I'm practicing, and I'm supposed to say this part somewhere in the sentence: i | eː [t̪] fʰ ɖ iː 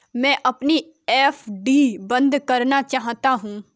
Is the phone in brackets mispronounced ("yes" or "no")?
yes